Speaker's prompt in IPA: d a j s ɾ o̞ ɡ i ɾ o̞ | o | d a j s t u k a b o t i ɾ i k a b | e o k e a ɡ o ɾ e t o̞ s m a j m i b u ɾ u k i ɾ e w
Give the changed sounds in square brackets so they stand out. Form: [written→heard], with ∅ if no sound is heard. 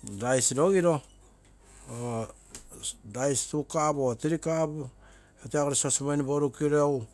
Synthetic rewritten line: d a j s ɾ o̞ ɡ i ɾ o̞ | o | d a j s t u k a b o t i ɾ i k a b | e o [k→t] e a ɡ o ɾ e [t→s] o̞ s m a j [m→n] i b [u→o] ɾ u k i ɾ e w